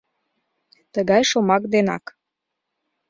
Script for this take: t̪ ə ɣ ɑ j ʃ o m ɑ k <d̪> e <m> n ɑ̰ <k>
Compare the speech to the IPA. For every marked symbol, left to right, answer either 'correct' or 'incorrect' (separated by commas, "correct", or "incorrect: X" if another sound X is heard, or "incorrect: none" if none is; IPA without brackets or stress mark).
correct, incorrect: none, correct